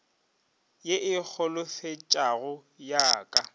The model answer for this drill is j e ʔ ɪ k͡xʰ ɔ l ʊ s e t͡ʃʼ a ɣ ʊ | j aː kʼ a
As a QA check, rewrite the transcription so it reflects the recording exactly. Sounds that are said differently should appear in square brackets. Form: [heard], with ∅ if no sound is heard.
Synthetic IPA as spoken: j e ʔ ɪ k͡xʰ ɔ l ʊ [f] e t͡ʃʼ a ɣ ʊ | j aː kʼ a